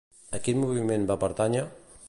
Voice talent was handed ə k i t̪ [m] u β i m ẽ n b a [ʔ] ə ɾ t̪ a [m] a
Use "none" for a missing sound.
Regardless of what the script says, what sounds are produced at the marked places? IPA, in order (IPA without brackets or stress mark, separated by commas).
m, p, ɲ